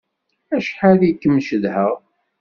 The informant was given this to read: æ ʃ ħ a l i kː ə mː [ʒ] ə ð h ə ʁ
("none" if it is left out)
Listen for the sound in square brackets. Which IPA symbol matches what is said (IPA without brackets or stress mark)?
ʃ